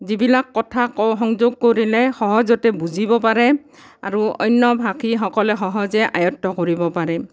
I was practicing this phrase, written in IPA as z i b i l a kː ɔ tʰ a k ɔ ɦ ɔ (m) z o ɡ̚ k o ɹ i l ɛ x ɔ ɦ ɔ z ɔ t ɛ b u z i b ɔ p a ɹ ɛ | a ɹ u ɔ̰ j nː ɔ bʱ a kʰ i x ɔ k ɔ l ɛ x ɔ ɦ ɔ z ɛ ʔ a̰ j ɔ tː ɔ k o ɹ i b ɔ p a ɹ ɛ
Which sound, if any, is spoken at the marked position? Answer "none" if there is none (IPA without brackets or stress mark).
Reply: ŋ